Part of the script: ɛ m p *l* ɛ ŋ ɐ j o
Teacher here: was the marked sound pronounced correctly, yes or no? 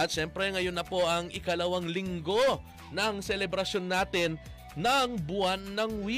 no